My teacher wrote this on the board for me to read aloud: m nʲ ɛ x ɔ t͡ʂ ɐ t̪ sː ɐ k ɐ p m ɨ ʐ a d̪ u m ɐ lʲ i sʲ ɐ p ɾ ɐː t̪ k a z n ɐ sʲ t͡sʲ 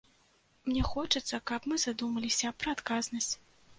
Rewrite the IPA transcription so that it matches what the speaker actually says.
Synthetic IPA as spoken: m nʲ ɛ x ɔ t͡ʂ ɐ t̪ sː ɐ k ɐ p m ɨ z a d̪ u m ɐ lʲ i sʲ ɐ p ɾ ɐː t̪ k a z n ɐ sʲ t͡sʲ